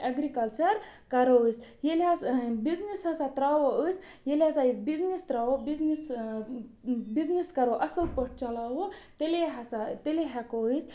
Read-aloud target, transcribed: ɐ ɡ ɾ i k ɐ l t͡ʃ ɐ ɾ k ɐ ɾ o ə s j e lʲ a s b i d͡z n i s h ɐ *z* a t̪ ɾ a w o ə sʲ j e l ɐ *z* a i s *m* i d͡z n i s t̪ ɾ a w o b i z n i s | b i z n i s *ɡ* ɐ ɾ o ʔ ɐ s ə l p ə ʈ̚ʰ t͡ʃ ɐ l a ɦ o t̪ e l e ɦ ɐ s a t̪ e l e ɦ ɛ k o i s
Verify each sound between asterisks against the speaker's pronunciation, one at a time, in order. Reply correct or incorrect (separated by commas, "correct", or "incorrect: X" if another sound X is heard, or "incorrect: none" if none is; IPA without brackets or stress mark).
incorrect: s, incorrect: s, incorrect: b, incorrect: k